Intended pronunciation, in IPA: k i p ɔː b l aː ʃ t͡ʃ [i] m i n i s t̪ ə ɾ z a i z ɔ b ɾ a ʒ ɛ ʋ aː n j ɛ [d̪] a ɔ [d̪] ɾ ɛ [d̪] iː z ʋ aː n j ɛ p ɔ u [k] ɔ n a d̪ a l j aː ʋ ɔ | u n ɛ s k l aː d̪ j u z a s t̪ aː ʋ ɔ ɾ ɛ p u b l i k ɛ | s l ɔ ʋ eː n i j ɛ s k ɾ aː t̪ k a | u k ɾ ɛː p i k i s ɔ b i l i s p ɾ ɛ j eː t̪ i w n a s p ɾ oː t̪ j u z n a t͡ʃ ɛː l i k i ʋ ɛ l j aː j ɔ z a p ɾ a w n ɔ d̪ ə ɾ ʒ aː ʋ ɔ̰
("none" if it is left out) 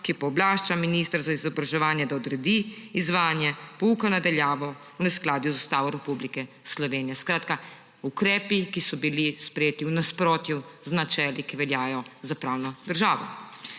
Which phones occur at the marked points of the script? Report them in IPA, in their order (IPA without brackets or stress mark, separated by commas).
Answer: a, d̪, d̪, d̪, k